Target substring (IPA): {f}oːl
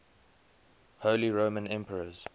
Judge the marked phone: incorrect: h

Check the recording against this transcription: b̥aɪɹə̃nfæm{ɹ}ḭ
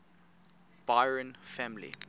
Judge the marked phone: incorrect: l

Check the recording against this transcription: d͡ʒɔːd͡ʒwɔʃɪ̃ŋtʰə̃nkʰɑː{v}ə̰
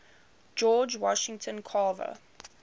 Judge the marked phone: correct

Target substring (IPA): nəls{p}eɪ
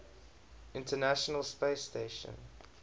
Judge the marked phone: correct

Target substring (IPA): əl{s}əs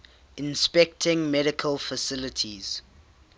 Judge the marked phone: incorrect: f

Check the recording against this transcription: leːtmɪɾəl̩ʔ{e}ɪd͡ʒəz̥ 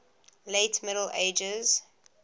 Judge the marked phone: correct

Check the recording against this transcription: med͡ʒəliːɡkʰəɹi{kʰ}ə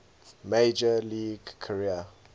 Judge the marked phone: incorrect: none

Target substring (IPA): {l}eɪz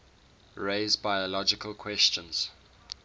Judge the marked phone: incorrect: ɹ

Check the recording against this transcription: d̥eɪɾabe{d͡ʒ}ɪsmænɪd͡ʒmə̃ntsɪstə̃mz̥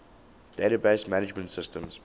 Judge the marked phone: incorrect: none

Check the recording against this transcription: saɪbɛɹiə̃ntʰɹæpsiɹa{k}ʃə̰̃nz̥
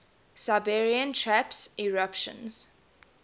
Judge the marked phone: incorrect: p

